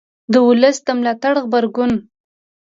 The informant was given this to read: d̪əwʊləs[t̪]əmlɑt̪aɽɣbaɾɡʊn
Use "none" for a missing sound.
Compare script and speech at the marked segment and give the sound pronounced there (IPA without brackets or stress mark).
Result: d̪